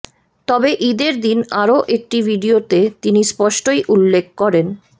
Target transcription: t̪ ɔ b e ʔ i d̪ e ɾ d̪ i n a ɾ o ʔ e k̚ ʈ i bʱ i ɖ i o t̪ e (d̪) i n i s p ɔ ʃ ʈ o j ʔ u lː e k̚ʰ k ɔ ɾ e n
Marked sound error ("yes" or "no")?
yes